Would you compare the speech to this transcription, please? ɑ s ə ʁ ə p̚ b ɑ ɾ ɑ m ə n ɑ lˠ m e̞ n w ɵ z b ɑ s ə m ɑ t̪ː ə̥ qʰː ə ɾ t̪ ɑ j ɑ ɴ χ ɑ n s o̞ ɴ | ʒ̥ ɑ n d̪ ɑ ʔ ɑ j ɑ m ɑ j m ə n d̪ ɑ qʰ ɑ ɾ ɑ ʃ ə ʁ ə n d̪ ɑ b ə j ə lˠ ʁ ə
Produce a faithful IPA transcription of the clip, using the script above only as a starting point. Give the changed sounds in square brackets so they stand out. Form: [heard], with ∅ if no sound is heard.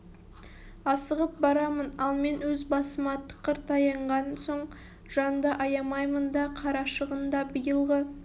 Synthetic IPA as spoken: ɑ s ə ʁ ə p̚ b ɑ ɾ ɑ m ə n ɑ lˠ m e̞ n w ɵ z b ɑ s ə m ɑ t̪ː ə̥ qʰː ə ɾ t̪ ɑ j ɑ ɴ [ʁ] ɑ n s o̞ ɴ | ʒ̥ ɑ n d̪ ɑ ʔ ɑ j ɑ m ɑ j m ə n d̪ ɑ qʰ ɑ ɾ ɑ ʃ ə ʁ ə n d̪ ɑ b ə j ə lˠ ʁ ə